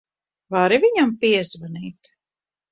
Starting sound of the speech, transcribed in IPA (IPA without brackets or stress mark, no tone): v